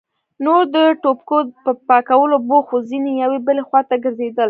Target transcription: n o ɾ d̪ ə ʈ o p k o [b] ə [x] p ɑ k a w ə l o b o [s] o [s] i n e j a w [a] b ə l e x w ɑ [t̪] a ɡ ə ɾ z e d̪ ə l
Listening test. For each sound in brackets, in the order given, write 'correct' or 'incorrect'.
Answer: incorrect: p, incorrect: none, incorrect: x, incorrect: z, incorrect: e, correct

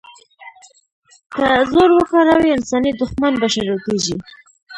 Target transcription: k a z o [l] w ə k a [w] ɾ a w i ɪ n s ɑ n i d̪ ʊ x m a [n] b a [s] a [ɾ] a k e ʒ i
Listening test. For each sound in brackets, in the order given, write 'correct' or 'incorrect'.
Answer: incorrect: ɾ, incorrect: none, correct, incorrect: ʃ, correct

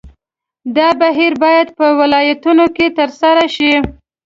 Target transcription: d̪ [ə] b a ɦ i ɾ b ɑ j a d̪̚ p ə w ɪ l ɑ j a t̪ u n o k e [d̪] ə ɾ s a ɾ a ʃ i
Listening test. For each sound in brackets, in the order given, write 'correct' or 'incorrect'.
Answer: incorrect: ɑ, incorrect: t̪

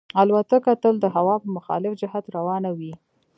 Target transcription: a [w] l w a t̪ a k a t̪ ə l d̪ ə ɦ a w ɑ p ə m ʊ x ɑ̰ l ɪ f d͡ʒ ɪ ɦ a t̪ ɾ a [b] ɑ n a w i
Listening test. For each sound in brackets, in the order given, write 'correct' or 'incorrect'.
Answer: incorrect: none, incorrect: w

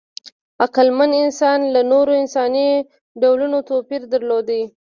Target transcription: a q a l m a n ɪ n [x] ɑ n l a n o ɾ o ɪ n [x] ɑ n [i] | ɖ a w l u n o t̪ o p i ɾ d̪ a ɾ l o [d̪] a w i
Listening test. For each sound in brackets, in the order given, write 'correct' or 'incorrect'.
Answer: incorrect: s, incorrect: s, correct, correct

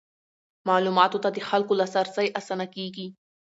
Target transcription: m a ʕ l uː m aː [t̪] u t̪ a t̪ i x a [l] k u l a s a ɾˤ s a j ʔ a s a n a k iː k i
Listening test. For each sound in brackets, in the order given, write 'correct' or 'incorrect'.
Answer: correct, correct

